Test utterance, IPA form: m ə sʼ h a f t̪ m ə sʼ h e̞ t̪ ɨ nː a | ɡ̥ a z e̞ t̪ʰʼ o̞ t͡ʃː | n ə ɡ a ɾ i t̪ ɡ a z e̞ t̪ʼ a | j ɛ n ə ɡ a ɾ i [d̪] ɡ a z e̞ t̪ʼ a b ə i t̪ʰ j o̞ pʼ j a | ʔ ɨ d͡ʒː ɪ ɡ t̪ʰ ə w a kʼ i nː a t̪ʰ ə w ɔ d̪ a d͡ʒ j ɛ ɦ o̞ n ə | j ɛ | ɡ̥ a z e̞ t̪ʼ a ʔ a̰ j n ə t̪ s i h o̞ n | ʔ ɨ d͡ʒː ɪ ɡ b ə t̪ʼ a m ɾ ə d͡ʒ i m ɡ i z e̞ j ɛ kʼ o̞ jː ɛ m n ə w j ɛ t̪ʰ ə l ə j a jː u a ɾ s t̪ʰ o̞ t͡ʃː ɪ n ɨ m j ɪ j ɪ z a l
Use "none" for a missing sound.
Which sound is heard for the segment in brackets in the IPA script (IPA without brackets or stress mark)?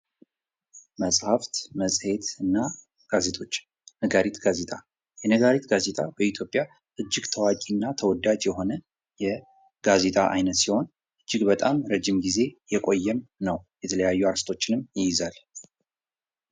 t̪